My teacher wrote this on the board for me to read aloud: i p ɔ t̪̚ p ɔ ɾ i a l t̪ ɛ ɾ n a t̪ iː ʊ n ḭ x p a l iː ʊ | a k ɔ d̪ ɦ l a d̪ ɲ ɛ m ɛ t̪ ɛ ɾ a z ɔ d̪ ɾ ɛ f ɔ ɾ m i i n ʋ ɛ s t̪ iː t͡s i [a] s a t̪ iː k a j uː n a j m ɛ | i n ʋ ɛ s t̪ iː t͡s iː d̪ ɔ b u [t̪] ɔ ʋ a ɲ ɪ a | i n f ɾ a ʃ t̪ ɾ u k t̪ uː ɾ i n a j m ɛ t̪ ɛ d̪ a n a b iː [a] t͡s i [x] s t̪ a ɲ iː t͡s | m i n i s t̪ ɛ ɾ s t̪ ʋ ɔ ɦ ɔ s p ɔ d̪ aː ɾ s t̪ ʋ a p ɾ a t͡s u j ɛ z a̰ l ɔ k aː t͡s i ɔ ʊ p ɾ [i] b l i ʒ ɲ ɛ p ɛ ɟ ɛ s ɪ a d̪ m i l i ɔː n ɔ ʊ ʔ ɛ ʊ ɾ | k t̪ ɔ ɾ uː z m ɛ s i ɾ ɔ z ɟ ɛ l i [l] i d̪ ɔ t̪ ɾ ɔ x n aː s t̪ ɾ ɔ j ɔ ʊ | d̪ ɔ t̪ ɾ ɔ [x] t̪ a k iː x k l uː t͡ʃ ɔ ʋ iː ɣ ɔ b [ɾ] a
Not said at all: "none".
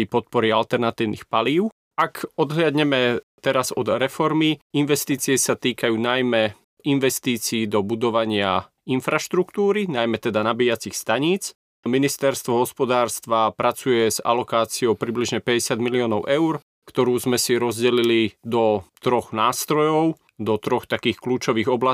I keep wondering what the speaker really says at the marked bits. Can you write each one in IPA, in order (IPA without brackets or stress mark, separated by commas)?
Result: ɛ, d̪, a, x, i, l, x, l